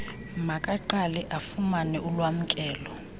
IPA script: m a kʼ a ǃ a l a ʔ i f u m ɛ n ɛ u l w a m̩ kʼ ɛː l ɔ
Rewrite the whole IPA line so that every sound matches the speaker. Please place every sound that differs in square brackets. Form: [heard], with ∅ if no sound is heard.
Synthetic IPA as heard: m a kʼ a ǃ a l [ɛ] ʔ [a] f u m [a] n ɛ u l w a m̩ kʼ ɛː l ɔ